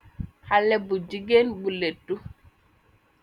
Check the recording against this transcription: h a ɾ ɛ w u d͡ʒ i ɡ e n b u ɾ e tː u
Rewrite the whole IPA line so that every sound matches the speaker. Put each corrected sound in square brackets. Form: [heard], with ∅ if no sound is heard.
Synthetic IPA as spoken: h a [l] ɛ [b] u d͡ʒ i ɡ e n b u [l] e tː u